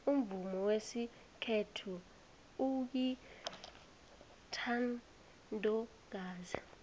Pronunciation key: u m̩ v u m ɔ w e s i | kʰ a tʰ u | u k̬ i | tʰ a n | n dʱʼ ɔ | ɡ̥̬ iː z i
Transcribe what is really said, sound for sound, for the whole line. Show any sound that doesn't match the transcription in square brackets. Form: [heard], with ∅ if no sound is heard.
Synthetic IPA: u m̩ v u m ɔ w e s i | kʰ [e] tʰ u | u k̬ i | tʰ a n | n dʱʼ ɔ | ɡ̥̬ [aː] z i